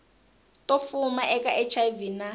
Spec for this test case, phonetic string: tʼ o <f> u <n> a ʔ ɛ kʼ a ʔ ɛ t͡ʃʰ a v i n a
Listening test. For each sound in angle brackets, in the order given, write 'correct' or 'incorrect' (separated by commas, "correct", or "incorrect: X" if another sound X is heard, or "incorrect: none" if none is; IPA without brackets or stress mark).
correct, incorrect: m